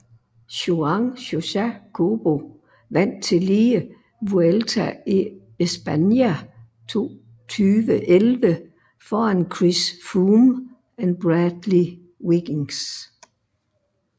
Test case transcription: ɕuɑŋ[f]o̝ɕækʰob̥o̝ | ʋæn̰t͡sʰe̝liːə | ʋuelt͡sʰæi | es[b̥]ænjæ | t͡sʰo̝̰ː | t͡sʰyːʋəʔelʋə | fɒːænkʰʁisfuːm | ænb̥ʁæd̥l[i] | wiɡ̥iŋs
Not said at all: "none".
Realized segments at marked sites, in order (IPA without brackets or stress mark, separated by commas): ɕ, b̥, i